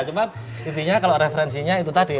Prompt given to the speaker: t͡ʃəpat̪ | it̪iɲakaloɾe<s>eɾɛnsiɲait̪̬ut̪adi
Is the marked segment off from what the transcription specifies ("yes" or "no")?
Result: yes